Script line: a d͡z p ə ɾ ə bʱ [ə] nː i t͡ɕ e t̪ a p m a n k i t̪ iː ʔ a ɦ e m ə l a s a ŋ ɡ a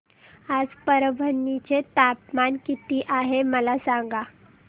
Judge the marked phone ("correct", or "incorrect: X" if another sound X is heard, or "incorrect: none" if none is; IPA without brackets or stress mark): correct